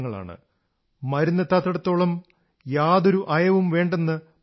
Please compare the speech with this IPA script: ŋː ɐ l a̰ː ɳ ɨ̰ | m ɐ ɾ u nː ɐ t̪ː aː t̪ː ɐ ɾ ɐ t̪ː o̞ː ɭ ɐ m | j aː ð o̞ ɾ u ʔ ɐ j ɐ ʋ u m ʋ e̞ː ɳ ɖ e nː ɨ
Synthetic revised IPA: ŋː ɐ ɭ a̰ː ɳ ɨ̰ | m ɐ ɾ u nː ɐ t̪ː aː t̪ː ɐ ɽ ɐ t̪ː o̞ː ɭ ɐ m | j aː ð o̞ ɾ u ʔ ɐ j ɐ ʋ u m ʋ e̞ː ɳ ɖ e nː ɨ